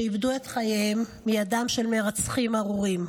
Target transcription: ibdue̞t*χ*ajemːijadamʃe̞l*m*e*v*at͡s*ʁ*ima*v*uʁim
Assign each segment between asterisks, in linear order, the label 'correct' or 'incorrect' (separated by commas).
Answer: correct, correct, incorrect, incorrect, incorrect